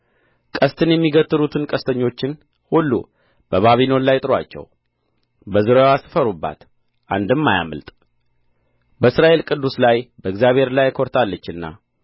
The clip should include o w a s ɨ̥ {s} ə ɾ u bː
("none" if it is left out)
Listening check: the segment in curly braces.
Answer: f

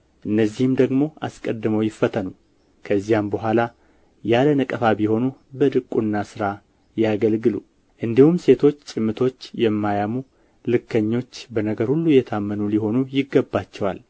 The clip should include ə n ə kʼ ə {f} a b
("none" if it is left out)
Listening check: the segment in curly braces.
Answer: f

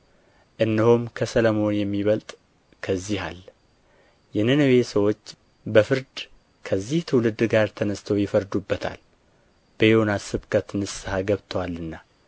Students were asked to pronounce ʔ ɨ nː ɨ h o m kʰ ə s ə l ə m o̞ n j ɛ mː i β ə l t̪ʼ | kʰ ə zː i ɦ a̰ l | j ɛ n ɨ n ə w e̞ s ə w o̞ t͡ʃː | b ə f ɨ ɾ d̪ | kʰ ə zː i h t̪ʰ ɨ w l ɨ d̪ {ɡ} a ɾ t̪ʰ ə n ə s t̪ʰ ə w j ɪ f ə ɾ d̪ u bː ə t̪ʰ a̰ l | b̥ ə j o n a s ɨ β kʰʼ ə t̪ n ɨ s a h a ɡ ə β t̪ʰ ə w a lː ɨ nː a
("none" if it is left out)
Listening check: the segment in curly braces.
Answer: ɡ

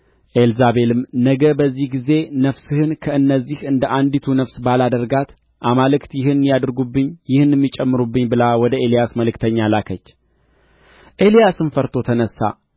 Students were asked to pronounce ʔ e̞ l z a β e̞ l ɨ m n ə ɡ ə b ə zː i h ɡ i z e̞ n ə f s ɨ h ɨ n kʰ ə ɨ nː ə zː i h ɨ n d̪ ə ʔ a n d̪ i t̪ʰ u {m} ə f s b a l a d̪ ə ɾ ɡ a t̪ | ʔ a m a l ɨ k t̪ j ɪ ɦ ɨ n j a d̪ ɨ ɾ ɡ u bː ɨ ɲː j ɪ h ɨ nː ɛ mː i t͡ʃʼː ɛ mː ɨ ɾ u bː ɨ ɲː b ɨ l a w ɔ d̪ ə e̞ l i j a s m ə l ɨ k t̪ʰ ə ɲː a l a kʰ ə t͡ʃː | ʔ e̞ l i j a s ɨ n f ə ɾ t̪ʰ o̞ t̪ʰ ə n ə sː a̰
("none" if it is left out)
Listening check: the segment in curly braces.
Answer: n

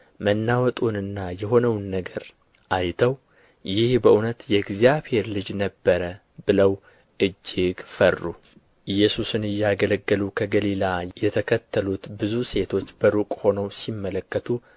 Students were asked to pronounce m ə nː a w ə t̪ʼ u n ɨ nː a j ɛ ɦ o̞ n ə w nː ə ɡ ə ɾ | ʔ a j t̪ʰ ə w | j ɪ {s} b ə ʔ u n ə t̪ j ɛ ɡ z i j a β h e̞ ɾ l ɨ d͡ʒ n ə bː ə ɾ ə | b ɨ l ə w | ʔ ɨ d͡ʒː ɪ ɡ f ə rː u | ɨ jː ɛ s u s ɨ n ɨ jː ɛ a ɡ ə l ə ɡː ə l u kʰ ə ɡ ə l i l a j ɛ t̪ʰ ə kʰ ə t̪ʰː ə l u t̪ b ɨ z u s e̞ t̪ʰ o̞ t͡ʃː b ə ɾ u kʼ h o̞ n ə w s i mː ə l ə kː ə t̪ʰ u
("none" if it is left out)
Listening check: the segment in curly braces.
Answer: h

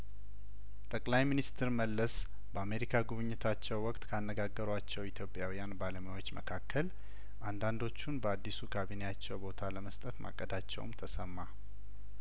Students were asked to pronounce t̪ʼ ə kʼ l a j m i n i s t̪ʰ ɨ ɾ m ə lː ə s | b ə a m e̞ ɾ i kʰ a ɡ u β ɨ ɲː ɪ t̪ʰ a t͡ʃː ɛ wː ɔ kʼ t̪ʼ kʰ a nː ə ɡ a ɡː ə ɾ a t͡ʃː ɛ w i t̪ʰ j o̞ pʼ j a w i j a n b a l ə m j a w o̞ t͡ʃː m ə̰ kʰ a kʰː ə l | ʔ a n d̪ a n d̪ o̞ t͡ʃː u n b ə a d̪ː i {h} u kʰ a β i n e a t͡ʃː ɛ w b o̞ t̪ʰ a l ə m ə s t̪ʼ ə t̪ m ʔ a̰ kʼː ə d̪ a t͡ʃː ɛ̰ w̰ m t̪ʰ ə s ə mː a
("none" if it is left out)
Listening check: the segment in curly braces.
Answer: s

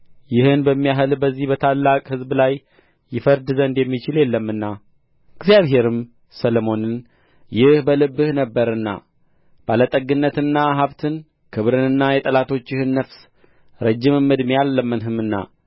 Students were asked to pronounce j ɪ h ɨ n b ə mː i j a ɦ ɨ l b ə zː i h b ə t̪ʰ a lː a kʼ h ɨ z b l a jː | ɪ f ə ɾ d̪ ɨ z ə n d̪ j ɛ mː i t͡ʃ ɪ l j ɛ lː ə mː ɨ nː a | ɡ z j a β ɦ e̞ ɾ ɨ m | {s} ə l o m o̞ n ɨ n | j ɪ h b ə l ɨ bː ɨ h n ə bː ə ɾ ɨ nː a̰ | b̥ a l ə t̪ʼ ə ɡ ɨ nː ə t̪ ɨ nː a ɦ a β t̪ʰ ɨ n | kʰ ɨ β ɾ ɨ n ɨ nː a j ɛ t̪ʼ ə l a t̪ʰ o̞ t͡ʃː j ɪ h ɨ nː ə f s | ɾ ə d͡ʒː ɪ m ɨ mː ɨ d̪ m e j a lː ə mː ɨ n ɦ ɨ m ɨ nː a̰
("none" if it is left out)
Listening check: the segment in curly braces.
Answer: s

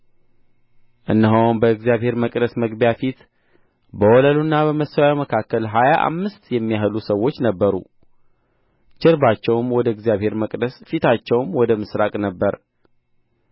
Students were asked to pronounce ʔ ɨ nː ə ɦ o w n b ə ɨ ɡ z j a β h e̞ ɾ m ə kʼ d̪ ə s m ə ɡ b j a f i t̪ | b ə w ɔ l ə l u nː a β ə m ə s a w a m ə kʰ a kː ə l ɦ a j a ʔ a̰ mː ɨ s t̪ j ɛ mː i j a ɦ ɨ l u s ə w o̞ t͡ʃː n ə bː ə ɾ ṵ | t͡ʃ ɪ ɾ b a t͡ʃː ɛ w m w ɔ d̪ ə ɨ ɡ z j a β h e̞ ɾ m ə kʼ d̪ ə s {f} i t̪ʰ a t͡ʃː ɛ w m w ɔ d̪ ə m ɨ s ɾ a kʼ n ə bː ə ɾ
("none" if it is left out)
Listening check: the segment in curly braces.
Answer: f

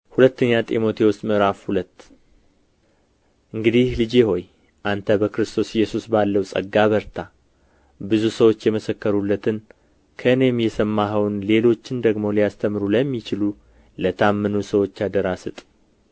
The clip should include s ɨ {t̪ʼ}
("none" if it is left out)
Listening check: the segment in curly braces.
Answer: t̪ʼ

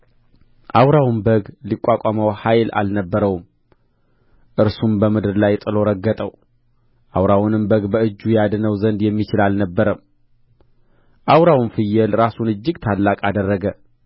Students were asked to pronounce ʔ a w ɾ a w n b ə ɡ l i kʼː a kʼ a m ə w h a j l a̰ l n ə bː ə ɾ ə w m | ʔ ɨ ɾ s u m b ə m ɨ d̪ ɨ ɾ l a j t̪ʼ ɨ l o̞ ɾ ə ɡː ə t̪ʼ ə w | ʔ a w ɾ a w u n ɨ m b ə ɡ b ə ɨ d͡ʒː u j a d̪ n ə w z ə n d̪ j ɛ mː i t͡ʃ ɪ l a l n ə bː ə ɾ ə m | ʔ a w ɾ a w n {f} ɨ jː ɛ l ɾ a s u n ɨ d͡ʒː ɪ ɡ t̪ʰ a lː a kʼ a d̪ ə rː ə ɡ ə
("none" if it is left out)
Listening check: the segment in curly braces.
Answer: f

